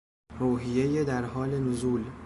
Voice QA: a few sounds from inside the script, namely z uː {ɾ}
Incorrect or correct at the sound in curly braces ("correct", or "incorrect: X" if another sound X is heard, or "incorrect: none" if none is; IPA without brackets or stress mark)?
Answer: incorrect: l